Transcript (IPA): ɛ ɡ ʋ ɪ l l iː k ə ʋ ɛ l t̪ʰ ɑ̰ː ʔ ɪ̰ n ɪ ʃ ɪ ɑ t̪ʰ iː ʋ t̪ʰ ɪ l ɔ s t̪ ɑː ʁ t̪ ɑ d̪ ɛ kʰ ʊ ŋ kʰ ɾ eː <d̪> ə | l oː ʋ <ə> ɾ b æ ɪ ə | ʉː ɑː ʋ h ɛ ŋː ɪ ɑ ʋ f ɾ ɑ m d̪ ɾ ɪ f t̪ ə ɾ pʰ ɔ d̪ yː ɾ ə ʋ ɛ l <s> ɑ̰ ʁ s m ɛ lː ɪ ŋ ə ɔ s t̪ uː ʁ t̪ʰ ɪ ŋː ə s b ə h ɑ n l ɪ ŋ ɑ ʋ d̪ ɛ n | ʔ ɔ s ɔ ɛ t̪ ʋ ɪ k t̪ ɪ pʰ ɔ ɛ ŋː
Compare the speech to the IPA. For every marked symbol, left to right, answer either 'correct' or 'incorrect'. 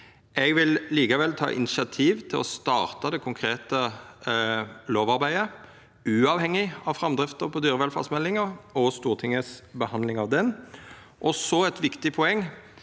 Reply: incorrect: t̪, incorrect: ɑ, incorrect: f

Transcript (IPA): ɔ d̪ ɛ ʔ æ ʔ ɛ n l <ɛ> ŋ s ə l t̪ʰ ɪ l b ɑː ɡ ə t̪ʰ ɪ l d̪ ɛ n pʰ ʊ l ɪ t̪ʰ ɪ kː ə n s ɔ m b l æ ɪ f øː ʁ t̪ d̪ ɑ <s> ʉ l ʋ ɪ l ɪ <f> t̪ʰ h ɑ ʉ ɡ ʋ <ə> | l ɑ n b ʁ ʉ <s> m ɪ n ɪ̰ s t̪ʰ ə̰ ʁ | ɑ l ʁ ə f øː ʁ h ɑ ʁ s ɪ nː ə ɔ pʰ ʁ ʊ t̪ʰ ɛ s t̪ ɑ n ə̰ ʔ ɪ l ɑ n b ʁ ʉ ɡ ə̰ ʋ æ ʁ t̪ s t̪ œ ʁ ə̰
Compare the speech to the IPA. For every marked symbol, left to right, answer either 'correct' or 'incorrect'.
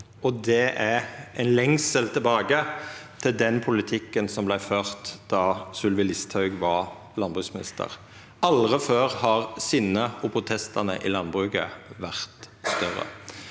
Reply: correct, correct, incorrect: s, incorrect: ɑ, correct

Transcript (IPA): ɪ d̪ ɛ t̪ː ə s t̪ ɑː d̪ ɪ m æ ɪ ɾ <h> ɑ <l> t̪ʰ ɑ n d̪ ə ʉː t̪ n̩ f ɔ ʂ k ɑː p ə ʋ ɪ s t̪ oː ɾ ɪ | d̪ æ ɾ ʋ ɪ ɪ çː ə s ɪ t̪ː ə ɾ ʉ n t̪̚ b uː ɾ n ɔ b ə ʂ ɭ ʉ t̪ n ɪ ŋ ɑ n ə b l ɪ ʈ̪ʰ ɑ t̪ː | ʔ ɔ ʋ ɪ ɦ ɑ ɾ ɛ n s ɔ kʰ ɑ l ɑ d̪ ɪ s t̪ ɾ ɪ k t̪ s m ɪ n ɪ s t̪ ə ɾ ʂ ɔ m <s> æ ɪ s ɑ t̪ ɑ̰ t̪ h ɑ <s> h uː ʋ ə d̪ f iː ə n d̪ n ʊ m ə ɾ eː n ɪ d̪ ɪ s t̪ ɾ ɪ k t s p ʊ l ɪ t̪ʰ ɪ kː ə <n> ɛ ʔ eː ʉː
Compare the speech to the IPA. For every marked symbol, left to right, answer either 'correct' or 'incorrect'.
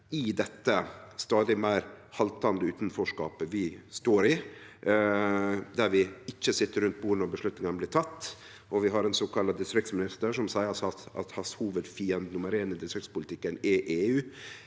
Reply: correct, correct, correct, correct, correct

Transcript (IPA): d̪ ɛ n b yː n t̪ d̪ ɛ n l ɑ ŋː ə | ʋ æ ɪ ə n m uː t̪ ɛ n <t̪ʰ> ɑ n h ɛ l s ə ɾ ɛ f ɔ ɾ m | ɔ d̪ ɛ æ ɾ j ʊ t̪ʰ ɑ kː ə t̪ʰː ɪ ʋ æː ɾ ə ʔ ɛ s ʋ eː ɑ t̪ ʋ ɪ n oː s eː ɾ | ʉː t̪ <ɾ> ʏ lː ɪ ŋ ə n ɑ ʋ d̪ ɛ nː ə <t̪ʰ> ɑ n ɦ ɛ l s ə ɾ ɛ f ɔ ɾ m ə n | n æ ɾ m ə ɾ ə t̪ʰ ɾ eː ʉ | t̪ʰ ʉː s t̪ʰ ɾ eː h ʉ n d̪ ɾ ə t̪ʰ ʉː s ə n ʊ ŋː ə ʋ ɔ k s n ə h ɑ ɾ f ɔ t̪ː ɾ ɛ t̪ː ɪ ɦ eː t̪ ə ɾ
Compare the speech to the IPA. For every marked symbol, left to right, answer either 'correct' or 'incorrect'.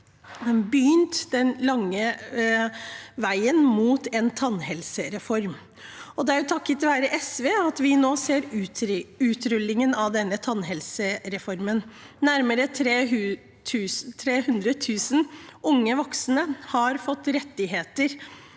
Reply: correct, correct, correct

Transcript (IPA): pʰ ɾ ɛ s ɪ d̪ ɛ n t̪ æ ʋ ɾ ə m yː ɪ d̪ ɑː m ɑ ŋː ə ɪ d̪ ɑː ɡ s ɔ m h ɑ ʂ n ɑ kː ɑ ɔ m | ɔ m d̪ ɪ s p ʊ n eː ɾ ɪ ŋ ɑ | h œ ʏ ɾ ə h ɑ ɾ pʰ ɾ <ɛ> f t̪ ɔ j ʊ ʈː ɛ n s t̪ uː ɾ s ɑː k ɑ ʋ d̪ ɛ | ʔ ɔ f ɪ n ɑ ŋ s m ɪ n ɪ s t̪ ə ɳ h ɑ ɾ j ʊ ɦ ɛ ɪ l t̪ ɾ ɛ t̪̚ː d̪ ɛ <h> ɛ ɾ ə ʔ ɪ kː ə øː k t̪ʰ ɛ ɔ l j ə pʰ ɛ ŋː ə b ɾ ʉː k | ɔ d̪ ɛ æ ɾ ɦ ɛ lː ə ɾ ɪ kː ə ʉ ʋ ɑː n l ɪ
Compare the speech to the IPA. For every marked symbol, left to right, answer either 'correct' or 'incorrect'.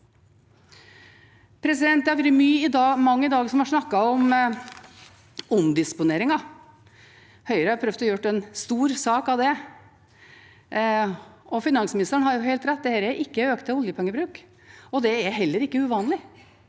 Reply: incorrect: œ, correct

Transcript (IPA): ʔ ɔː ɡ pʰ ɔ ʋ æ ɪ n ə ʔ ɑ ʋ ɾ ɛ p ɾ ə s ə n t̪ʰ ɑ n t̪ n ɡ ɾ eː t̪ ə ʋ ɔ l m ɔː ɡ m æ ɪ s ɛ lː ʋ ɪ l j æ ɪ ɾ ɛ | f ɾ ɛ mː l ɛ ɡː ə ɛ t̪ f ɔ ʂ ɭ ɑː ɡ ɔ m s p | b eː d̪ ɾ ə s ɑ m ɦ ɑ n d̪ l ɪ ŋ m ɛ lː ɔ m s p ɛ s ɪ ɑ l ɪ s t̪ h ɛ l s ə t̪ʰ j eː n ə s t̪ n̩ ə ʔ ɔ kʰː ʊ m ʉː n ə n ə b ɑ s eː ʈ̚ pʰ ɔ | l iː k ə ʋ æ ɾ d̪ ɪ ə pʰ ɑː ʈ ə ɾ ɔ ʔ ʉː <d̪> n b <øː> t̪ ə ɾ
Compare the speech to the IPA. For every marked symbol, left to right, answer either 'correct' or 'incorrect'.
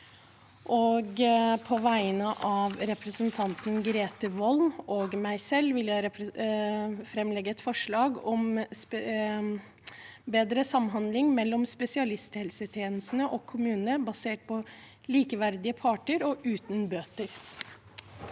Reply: incorrect: t̪, correct

